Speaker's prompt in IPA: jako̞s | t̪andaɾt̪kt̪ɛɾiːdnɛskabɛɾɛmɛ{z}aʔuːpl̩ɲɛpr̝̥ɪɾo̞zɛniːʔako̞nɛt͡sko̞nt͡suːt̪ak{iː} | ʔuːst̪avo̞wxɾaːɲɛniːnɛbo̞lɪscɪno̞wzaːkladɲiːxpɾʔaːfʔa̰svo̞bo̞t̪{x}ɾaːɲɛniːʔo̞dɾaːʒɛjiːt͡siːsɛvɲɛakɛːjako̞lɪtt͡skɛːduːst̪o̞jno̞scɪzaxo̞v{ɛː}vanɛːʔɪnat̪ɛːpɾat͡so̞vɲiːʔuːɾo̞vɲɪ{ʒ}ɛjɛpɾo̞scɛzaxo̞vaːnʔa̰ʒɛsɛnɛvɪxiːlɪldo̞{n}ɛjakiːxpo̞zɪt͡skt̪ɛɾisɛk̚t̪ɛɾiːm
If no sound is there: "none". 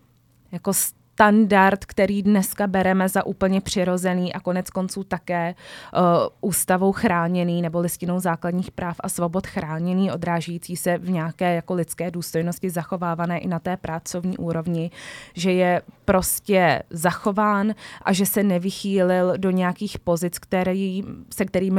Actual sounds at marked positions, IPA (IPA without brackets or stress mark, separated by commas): z, ɛː, x, aː, ʒ, ɲ